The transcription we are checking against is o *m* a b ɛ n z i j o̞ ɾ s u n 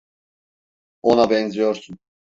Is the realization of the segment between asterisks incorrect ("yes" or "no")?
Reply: yes